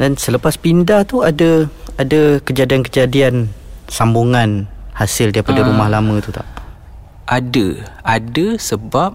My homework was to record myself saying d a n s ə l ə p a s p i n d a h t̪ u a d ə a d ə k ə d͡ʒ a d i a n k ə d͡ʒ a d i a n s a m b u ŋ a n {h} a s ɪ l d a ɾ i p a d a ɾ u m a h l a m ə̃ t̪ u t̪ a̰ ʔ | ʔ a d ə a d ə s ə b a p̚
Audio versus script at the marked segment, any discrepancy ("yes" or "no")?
no